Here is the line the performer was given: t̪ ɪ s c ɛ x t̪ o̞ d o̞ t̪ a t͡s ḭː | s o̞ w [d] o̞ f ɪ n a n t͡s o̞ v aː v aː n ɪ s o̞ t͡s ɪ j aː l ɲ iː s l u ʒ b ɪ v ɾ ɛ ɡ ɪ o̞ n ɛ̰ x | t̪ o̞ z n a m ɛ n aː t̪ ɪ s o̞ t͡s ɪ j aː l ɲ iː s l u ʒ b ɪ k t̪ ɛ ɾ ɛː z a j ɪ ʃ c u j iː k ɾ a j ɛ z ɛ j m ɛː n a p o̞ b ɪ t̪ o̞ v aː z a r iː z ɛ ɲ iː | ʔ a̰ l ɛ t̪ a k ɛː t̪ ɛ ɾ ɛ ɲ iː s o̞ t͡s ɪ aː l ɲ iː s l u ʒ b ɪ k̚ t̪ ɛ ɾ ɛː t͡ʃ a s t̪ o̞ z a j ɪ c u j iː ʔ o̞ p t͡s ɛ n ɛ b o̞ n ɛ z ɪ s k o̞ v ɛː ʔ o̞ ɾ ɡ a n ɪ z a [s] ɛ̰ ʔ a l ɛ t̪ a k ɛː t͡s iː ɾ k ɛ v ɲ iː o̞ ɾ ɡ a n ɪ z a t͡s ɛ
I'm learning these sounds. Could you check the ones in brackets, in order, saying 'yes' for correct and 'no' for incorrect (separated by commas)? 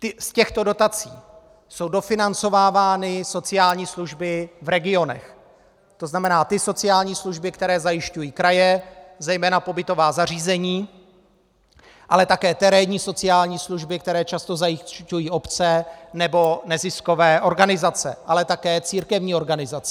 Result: yes, no